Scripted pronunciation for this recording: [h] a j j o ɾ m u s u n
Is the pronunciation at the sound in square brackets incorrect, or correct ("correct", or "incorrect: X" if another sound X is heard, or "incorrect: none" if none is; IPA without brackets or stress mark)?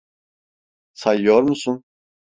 incorrect: s